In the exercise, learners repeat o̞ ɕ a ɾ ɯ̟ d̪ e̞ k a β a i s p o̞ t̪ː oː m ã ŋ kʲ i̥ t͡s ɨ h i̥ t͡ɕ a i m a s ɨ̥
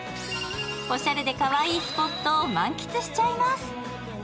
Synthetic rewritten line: o̞ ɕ a ɾ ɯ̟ d̪ e̞ k a β a iː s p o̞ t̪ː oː m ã ŋ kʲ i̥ t͡s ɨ ɕ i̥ t͡ɕ a i m a s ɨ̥